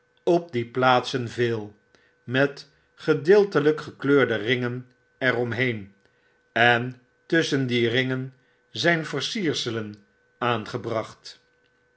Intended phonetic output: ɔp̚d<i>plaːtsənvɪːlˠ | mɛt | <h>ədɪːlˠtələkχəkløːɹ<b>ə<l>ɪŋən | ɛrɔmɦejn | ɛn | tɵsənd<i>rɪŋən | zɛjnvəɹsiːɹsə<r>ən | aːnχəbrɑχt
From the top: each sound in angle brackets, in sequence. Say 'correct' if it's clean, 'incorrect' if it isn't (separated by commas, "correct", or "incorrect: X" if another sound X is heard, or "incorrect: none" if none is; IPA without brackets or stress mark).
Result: correct, incorrect: χ, incorrect: d, incorrect: r, correct, incorrect: l